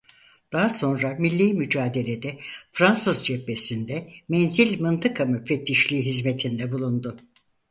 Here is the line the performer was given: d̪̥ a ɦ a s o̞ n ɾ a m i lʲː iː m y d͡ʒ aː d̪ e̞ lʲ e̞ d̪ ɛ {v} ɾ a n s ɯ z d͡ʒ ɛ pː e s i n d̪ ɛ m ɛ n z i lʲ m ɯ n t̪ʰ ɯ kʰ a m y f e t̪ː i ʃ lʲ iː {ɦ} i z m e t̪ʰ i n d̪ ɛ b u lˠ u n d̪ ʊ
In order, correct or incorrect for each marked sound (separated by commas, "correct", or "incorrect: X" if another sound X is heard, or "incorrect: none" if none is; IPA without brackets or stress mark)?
incorrect: f, correct